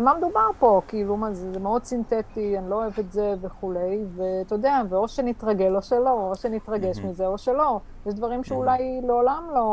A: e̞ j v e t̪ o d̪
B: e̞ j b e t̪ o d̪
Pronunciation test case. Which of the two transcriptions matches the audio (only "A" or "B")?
A